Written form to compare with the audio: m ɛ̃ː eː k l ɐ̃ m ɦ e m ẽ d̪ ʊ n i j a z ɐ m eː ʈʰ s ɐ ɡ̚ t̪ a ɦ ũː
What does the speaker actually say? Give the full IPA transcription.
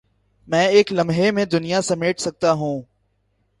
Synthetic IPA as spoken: m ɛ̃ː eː k l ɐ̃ m ɦ e m ẽ d̪ ʊ n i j a s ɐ m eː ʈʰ s ɐ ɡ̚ t̪ a ɦ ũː